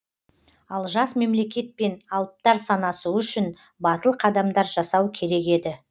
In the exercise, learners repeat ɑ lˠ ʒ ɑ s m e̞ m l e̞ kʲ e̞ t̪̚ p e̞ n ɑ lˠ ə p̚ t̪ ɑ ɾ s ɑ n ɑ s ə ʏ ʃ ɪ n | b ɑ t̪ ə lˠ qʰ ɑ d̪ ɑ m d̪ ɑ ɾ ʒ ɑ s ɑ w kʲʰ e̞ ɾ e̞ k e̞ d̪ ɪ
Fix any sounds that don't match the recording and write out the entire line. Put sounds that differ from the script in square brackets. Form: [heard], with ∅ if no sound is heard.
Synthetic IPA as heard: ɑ lˠ ʒ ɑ s m e̞ m l e̞ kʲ e̞ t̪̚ p e̞ n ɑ lˠ ə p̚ t̪ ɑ ɾ s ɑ n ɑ s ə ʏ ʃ ɪ n | b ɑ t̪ ə lˠ qʰ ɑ d̪ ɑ m d̪ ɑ ɾ ʒ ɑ s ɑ w kʲʰ e̞ ɾ e̞ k e̞ d̪ ɪ